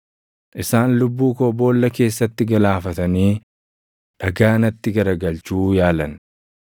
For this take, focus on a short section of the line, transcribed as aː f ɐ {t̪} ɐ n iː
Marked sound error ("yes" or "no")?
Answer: no